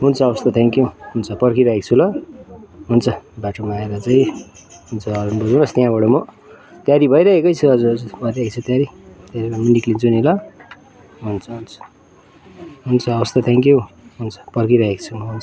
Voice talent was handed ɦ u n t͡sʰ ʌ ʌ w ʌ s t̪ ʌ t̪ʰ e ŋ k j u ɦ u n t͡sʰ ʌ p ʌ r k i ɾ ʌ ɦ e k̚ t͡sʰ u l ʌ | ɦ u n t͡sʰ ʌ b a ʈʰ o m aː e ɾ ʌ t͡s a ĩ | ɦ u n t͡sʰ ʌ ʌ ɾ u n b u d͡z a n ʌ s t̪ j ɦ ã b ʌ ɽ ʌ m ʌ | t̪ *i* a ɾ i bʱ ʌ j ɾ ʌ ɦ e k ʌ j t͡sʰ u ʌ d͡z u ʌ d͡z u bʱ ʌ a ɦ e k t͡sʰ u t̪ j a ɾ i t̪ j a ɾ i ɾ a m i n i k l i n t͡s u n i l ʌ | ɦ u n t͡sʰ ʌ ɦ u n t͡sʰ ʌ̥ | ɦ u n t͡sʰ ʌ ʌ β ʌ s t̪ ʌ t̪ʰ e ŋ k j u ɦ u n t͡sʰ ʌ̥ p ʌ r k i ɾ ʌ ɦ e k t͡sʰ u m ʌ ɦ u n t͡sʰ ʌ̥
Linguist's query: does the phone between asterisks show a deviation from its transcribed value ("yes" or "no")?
yes